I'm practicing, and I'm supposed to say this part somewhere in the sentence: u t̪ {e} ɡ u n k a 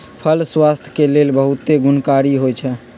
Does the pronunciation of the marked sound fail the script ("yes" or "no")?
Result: no